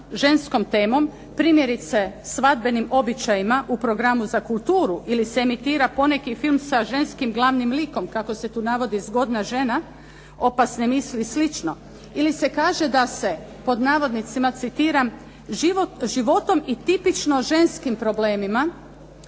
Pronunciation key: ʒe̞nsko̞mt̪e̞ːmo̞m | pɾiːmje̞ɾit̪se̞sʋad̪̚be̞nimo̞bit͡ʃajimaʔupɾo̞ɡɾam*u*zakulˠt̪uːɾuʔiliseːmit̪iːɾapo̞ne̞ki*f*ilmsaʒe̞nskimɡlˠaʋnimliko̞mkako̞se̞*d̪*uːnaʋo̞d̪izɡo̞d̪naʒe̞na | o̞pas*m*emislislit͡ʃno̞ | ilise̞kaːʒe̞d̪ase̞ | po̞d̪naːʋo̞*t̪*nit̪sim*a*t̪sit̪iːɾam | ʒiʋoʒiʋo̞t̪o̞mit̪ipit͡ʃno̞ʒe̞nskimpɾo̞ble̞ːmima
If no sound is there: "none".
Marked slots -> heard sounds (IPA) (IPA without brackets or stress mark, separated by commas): u, f, t̪, n, d̪, a